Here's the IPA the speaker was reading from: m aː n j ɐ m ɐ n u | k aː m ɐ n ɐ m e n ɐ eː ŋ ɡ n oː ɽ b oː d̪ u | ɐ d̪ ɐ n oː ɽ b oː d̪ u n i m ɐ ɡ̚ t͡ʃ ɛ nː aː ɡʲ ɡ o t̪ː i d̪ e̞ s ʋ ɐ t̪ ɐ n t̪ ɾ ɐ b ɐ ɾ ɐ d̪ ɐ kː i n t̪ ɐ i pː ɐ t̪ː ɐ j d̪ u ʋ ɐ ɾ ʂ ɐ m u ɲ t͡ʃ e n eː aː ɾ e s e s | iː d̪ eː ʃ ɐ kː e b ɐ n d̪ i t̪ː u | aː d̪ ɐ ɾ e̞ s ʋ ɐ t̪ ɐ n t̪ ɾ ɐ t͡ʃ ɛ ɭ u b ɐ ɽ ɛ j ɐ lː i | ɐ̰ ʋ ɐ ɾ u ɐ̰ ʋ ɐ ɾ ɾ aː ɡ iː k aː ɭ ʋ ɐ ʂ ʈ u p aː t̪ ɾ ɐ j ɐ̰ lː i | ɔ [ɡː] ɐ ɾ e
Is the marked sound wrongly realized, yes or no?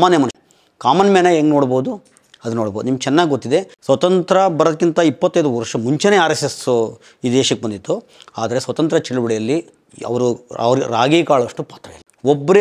yes